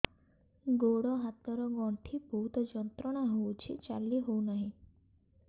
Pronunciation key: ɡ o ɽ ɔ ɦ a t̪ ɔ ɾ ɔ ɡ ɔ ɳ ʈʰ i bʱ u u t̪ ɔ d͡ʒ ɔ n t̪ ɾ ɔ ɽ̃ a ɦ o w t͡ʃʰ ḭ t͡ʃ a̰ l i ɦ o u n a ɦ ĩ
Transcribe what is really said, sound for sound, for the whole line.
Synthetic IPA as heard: ɡ o ɽ ɔ ɦ a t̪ ɔ ɾ ɔ ɡ ɔ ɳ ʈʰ i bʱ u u t̪ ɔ d͡ʒ ɔ n t̪ ɾ ɔ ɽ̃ a ɦ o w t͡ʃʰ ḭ t͡ʃ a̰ l i ɦ o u n a ɦ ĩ